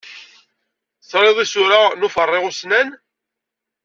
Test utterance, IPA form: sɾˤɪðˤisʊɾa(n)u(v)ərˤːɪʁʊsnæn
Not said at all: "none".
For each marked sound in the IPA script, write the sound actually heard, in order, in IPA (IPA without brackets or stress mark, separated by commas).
n, f